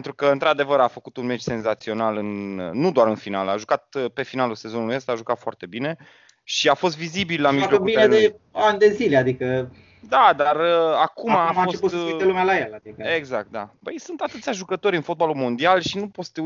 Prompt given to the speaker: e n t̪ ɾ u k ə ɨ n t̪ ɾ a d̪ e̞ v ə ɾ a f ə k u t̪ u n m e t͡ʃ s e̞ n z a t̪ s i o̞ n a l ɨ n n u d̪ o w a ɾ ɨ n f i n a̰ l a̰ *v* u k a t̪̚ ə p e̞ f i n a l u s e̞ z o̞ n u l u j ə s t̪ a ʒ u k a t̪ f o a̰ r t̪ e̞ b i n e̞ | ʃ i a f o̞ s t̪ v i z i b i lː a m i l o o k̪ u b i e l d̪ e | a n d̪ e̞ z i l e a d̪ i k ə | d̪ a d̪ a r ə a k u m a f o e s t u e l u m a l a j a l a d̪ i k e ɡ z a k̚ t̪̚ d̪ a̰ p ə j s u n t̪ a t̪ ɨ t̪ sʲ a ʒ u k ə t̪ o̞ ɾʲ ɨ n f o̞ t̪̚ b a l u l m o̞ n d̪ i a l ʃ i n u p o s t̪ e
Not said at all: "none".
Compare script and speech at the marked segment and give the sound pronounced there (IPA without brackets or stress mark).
ʒ